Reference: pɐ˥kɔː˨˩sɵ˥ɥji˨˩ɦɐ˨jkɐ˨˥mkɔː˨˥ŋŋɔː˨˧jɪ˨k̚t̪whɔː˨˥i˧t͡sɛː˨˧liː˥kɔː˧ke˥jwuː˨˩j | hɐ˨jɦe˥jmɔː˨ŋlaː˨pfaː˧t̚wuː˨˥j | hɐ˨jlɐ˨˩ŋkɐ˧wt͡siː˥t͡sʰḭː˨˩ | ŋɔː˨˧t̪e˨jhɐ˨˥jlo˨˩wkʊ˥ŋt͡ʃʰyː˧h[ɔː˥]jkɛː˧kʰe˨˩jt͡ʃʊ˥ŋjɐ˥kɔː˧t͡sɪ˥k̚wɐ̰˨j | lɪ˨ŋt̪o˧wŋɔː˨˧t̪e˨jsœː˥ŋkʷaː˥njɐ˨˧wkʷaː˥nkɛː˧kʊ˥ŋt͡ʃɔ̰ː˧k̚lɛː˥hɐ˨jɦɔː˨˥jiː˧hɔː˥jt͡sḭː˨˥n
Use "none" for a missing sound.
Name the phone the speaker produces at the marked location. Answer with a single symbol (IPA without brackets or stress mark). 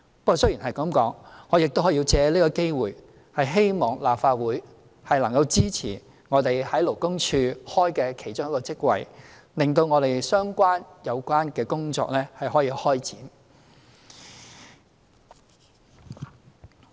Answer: ɔː˥